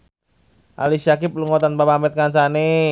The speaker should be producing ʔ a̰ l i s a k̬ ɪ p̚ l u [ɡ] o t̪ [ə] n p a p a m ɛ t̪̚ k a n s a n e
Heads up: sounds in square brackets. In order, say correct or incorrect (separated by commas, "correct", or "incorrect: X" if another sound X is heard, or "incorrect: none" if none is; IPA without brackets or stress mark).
incorrect: ŋ, incorrect: a